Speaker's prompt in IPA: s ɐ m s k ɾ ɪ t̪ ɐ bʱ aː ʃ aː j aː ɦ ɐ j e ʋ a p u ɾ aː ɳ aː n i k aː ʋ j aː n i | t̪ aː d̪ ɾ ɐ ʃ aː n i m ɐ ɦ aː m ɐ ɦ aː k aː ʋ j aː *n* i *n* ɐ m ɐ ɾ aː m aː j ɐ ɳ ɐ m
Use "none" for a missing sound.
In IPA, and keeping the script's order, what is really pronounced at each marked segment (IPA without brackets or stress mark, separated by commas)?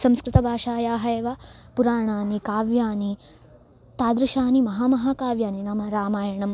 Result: n, n